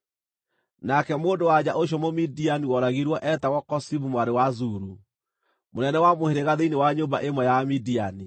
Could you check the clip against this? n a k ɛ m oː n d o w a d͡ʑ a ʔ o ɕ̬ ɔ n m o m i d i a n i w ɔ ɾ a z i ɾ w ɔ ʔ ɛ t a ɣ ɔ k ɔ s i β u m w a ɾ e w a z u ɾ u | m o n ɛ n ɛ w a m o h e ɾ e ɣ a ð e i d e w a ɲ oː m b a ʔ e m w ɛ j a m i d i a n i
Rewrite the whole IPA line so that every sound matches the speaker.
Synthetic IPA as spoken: n a k ɛ m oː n d o w a d͡ʑ a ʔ o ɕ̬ ɔ m o m i d i a n i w ɔ ɾ a ɣ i ɾ w ɔ ʔ ɛ t a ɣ ɔ k ɔ s i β u m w a ɾ e w a z u ɾ u | m o n ɛ n ɛ w a m o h e ɾ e ɣ a ð e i n e w a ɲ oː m b a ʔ e m w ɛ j a m i d i a n i